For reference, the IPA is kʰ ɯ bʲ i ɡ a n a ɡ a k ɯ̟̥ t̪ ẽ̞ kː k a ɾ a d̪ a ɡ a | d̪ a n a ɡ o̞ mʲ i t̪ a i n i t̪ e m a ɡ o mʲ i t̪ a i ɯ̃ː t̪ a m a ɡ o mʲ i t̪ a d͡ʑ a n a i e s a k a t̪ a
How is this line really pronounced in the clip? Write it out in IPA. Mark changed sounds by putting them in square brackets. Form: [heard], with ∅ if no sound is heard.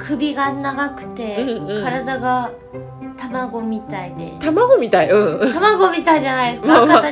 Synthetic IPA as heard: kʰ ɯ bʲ i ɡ a n a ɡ a k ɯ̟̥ t̪ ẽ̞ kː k a ɾ a d̪ a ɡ a | [t̪] a [m] a ɡ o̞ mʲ i t̪ a i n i t̪ [a] m a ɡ o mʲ i t̪ a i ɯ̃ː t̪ a m a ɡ o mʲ i t̪ a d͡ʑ a n a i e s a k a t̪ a